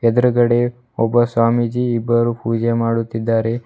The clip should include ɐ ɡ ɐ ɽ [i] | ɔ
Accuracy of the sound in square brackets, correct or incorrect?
incorrect